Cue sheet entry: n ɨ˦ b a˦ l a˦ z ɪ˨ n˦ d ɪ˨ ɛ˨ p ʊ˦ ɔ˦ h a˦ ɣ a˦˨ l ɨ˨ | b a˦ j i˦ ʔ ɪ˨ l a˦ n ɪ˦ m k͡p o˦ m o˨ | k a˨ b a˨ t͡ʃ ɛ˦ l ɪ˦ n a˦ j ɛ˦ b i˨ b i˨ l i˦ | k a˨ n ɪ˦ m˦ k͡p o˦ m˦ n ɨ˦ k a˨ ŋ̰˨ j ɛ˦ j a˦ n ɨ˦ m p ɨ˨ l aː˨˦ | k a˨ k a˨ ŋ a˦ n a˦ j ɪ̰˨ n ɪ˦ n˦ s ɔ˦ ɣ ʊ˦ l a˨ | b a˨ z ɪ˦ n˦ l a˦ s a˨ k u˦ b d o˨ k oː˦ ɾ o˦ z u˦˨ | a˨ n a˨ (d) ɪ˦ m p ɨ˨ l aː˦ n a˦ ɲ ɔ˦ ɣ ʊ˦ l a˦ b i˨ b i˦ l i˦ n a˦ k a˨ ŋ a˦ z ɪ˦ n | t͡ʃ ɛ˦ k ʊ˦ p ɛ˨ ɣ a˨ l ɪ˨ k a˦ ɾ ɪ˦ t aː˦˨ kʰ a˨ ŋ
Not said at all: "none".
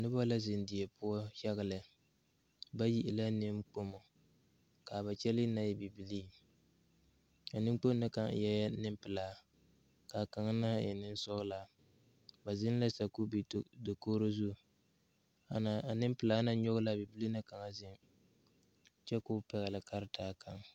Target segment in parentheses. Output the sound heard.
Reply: n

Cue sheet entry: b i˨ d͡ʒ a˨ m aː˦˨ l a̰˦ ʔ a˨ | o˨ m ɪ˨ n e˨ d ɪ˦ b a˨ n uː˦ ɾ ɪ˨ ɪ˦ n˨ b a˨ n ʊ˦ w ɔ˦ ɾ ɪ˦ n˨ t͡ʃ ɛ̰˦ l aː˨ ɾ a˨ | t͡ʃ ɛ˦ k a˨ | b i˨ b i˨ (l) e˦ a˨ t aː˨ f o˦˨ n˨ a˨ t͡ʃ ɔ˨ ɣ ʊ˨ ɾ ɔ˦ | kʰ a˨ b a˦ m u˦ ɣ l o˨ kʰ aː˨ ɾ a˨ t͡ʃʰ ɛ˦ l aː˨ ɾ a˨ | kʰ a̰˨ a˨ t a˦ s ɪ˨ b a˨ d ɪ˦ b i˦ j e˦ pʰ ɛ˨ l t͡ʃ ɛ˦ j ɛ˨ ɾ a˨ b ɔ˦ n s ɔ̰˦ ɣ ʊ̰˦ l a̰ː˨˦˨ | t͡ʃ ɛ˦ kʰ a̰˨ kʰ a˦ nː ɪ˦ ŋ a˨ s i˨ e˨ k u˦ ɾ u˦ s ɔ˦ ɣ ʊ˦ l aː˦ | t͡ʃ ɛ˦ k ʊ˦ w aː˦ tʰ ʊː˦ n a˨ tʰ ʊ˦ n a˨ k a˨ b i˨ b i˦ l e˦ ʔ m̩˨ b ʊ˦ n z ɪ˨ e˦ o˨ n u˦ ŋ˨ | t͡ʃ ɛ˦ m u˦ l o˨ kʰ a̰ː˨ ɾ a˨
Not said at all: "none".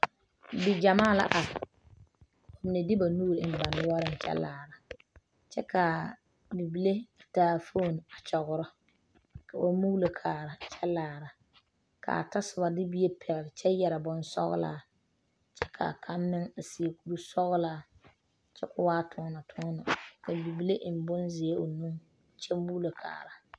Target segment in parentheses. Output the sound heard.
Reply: l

